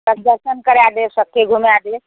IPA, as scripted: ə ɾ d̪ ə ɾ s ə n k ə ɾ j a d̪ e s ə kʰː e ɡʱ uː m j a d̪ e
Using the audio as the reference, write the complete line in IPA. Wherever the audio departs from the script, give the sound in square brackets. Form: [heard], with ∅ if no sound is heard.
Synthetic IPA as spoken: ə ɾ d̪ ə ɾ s ə n k ə ɾ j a d̪ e s ə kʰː e ɡʱ [u] m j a d̪ e